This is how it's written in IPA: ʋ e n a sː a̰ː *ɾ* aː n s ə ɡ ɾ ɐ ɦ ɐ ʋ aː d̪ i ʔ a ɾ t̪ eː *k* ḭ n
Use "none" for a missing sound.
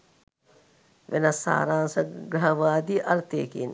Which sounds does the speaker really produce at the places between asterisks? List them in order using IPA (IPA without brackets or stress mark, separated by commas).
ɾ, k